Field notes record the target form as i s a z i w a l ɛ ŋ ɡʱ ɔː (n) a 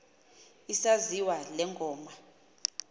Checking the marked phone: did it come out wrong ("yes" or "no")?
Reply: yes